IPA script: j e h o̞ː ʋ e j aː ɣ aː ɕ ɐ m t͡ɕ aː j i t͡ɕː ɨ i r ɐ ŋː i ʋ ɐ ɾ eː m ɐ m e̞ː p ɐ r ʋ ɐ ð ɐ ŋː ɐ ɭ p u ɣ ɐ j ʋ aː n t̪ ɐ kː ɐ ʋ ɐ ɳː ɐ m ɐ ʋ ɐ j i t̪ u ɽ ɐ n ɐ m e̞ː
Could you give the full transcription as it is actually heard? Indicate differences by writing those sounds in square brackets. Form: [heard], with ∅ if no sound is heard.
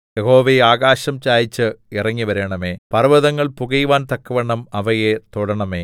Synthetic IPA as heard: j e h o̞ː ʋ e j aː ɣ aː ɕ ɐ m t͡ɕ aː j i t͡ɕː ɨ i r ɐ ŋː i ʋ ɐ ɾ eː [ɳ] ɐ m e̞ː p ɐ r ʋ ɐ ð ɐ ŋː ɐ ɭ p u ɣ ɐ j ʋ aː n t̪ ɐ kː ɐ ʋ ɐ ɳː ɐ m ɐ ʋ ɐ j [e] t̪ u ɽ ɐ [ɳ] ɐ m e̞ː